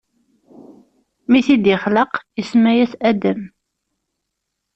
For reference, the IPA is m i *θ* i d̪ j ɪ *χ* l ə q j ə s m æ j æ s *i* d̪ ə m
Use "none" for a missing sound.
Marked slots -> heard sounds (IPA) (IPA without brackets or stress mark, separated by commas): θ, χ, æ